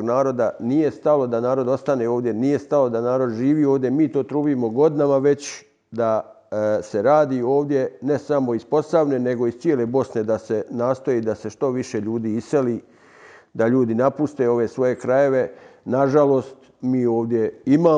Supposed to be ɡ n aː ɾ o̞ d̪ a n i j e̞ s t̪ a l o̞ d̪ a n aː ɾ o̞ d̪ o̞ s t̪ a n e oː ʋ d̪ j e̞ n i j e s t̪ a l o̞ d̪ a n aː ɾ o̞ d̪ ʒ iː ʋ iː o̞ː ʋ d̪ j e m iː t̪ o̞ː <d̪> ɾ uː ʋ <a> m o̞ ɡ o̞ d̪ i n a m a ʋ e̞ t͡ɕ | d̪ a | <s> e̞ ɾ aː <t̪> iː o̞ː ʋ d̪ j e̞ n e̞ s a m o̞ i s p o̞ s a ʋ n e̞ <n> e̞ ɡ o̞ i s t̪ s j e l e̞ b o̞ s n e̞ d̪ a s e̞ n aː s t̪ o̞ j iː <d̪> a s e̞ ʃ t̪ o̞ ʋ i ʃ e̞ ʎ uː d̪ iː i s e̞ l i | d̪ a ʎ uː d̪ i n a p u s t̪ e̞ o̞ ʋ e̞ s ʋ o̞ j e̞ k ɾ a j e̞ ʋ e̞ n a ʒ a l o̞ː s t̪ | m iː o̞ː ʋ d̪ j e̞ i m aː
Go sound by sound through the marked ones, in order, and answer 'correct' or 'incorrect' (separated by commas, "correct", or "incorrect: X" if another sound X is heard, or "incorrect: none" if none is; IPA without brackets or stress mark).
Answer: incorrect: t̪, incorrect: i, correct, incorrect: d̪, correct, correct